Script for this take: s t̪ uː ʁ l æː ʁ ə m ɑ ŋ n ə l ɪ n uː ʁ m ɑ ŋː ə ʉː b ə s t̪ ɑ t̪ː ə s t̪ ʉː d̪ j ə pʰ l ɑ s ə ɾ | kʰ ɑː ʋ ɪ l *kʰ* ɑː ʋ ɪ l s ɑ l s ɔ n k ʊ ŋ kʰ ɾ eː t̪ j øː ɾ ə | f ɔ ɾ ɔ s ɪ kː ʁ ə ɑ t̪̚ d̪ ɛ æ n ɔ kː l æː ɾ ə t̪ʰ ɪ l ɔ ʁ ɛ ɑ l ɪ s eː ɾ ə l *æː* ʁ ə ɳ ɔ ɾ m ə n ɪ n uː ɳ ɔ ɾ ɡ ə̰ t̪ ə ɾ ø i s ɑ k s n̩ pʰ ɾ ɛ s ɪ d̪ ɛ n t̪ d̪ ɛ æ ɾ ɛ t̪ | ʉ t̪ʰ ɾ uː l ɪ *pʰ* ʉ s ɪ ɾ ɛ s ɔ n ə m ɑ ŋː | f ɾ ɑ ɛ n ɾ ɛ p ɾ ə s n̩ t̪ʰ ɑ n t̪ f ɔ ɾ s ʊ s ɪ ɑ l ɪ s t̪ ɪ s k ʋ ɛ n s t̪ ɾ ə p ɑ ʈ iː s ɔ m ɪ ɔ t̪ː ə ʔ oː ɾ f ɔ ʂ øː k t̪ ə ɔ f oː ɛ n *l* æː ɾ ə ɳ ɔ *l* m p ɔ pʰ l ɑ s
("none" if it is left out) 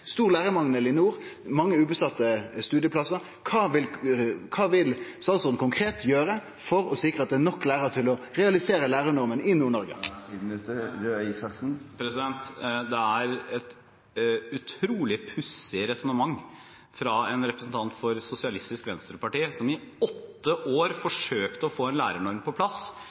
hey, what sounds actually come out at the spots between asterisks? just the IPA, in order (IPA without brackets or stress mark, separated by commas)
kʰ, æː, pʰ, l, ɾ